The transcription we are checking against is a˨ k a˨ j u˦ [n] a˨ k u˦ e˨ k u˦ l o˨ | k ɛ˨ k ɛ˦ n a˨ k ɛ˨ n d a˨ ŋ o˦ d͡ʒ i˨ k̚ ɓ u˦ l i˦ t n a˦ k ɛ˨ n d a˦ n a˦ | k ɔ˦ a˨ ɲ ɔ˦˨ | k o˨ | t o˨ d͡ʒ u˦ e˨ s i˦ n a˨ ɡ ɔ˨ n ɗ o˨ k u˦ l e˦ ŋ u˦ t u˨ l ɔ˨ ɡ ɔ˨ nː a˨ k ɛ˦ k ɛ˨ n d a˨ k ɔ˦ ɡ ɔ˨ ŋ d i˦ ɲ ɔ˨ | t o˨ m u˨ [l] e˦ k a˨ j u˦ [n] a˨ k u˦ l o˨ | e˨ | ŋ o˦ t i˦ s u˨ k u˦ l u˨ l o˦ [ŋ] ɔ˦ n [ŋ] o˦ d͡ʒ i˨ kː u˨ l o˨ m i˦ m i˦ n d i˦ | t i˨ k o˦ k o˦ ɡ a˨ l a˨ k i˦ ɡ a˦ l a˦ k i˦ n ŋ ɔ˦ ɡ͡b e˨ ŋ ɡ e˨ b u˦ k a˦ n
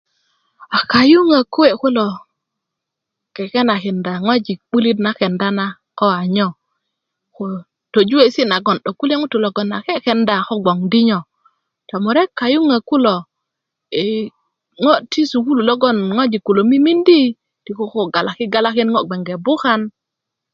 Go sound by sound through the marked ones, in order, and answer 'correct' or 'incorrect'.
incorrect: ŋ, incorrect: ɾ, incorrect: ŋ, incorrect: ɡ, correct

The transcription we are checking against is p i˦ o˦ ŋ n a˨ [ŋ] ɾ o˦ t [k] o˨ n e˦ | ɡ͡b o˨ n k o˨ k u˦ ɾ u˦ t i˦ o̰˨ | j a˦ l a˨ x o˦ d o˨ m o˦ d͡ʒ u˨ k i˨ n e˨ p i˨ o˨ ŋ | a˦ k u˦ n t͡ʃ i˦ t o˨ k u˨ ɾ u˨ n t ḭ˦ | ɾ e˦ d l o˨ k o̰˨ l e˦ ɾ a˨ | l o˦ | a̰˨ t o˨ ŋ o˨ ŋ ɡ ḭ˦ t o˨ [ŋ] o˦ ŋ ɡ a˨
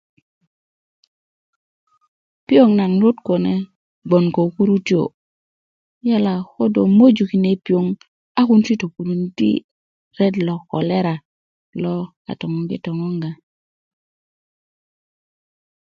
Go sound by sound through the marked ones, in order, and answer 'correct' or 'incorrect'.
correct, correct, correct

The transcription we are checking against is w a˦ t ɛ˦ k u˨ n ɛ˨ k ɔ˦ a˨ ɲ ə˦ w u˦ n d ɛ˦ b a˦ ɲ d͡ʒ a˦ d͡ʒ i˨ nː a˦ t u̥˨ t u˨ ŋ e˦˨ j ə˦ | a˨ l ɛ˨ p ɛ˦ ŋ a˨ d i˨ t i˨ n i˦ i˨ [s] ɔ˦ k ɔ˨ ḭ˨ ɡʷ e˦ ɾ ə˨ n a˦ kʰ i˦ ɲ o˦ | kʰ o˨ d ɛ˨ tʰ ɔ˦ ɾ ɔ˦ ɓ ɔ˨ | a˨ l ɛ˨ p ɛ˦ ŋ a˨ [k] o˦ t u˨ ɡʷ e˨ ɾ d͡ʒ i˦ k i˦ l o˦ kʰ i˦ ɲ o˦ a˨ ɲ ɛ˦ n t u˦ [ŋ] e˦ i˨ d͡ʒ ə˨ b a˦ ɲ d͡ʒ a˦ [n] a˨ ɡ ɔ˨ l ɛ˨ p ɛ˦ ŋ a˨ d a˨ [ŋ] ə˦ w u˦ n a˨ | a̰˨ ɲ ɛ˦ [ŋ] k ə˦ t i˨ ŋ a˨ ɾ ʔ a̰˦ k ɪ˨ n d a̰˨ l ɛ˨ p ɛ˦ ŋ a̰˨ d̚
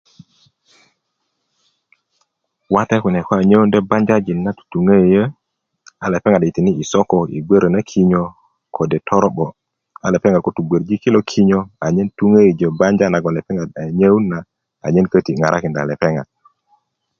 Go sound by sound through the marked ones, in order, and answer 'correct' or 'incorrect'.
correct, correct, correct, correct, incorrect: ɲ, incorrect: n

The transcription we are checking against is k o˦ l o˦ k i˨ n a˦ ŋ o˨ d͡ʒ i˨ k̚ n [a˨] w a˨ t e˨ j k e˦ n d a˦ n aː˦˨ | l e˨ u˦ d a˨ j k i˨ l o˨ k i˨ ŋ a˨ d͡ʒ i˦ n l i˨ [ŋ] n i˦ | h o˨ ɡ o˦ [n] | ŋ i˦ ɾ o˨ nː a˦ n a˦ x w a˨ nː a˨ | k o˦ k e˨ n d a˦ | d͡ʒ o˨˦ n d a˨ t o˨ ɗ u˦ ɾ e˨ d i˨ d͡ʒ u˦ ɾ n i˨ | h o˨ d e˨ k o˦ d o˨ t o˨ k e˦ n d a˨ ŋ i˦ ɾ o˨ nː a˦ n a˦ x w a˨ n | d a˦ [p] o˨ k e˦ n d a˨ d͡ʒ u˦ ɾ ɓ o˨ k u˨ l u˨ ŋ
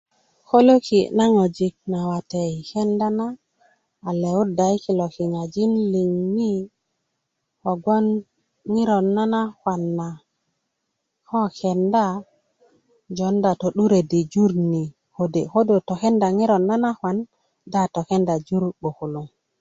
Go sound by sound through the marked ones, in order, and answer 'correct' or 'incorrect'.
correct, correct, correct, incorrect: t

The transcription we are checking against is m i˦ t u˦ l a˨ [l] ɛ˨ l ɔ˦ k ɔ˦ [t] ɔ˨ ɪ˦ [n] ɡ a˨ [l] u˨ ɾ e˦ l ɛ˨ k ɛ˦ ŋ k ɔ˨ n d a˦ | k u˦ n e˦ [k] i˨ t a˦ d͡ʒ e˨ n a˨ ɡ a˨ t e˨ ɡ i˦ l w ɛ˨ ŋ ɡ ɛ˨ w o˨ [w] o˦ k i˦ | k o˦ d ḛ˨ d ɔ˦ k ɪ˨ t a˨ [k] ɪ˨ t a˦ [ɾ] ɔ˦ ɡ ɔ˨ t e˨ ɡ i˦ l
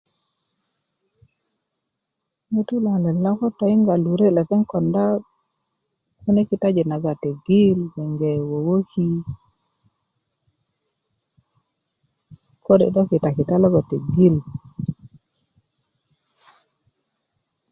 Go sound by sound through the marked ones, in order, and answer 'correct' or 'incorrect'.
correct, correct, incorrect: ŋ, correct, correct, correct, correct, incorrect: l

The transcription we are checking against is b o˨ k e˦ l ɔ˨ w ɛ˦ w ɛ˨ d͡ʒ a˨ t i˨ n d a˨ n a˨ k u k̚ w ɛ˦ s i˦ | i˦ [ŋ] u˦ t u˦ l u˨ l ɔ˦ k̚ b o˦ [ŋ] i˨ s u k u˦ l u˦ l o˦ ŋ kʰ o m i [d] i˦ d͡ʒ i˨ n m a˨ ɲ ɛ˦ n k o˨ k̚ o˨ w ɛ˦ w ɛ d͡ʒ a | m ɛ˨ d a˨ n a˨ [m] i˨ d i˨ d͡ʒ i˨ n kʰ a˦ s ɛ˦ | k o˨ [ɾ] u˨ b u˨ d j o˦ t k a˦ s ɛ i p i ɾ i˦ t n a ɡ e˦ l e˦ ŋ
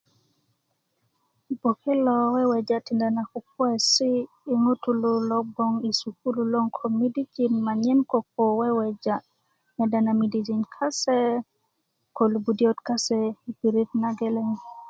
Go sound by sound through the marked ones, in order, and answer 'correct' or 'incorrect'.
correct, correct, correct, correct, incorrect: l

